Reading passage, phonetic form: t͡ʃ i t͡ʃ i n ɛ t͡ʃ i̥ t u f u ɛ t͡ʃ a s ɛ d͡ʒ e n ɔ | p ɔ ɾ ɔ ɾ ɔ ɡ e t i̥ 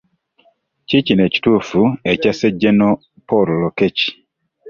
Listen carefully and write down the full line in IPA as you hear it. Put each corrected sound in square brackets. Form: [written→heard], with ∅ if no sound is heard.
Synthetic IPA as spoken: t͡ʃ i t͡ʃ i n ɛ t͡ʃ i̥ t u f u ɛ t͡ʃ a s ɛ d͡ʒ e n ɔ | p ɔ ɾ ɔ [ɾ→l] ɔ [ɡ→k] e [t→t͡ʃ] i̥